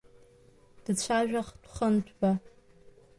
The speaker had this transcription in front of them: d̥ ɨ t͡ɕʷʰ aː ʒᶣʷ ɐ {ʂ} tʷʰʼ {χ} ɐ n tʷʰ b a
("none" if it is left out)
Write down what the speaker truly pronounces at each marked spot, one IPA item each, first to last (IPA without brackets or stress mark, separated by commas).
χ, χ